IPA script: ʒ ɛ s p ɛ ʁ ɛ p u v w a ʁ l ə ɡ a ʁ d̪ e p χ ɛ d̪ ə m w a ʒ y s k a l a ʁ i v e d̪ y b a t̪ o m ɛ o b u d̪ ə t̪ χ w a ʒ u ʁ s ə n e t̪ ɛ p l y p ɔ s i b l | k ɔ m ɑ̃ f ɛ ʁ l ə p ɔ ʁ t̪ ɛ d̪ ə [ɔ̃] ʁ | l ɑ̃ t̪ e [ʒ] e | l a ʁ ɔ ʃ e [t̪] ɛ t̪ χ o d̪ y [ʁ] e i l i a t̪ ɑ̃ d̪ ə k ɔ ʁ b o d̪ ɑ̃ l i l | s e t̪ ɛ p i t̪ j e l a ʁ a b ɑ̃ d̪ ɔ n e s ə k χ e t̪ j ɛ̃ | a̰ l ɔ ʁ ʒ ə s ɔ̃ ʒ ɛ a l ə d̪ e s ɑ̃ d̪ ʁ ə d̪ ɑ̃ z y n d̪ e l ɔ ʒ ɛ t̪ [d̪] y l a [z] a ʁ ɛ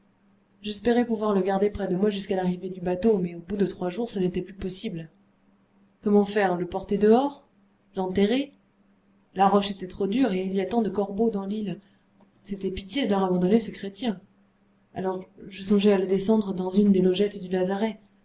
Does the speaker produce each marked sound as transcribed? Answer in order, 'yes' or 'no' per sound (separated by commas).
no, no, yes, yes, yes, yes